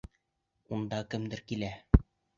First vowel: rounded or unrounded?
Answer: rounded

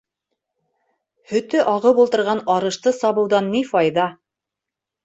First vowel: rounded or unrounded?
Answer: rounded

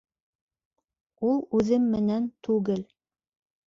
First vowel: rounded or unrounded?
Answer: rounded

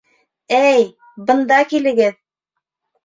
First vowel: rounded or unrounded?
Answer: unrounded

